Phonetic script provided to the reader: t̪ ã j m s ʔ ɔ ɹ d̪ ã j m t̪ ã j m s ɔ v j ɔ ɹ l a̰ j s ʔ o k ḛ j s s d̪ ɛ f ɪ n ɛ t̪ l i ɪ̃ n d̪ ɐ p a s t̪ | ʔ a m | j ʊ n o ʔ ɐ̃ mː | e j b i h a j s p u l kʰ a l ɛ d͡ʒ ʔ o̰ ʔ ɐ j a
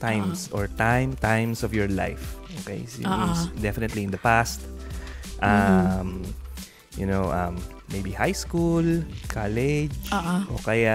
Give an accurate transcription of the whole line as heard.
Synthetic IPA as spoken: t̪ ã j m s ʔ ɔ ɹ t̪ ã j m t̪ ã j m s ɔ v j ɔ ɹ l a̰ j f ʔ o k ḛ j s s d̪ ɛ f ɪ n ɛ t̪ l i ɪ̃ n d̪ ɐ p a s t̪ | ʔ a m | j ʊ n o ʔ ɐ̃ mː | e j b i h a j s k u l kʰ a l ɛ d͡ʒ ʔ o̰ k ɐ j a